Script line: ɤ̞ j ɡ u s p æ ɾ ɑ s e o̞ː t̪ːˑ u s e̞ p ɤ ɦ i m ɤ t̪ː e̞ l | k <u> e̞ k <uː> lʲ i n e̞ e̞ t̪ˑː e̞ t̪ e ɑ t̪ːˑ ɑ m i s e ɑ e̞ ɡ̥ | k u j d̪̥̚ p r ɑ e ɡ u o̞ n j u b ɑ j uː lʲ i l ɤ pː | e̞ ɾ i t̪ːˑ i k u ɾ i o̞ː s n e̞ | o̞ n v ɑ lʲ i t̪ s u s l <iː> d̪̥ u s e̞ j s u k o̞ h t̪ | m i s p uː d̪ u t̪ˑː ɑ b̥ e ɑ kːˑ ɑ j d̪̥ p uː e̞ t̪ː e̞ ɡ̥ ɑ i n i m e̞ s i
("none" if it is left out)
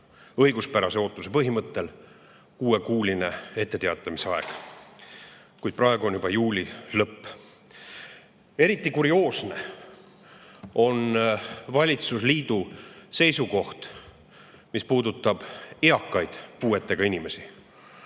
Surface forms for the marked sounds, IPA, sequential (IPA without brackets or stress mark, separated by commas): uː, uː, iː